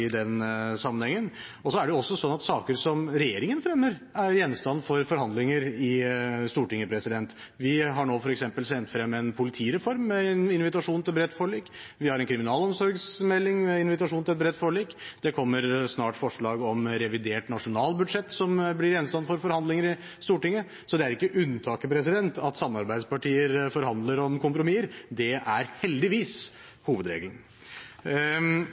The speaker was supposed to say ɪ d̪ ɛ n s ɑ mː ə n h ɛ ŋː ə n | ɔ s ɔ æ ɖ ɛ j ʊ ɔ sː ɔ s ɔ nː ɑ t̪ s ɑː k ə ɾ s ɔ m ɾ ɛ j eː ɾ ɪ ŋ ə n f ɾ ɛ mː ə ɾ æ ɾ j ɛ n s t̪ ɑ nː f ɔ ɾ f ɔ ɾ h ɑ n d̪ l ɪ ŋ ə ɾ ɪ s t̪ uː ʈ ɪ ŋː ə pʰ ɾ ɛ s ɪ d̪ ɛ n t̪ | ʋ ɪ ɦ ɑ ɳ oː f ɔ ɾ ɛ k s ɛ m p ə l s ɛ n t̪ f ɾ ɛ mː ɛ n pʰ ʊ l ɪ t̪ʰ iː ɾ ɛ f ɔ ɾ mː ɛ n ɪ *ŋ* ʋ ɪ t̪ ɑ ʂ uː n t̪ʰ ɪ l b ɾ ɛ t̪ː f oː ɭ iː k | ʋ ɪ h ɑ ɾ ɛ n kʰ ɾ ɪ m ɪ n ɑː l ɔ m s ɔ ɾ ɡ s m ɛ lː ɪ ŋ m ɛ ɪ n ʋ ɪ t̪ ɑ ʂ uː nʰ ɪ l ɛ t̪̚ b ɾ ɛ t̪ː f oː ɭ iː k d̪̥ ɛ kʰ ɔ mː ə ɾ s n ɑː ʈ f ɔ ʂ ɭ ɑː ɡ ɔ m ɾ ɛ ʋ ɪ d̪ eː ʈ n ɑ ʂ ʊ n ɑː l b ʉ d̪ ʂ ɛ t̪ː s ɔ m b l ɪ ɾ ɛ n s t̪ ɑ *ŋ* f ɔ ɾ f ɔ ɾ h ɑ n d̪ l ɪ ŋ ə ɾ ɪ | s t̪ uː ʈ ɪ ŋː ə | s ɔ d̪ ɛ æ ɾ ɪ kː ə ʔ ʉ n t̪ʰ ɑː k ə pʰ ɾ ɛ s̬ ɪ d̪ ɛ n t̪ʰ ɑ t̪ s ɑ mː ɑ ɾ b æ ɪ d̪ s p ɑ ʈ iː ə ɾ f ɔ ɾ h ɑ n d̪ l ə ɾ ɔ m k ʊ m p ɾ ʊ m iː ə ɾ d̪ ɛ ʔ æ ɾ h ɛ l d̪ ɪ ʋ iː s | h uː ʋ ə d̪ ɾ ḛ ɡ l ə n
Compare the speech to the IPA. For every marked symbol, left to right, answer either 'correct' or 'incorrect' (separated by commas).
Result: incorrect, incorrect